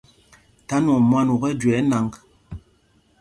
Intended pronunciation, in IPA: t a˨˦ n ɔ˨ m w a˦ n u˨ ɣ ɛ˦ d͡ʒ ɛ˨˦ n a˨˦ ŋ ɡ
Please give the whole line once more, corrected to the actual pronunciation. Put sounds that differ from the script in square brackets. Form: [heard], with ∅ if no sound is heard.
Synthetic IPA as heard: t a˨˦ n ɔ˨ m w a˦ n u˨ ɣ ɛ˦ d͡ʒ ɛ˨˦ n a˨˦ ŋ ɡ